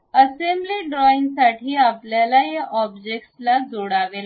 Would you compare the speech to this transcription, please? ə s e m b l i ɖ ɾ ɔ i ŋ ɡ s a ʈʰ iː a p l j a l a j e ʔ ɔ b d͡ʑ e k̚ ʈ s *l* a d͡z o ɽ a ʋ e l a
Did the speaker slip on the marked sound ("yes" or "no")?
no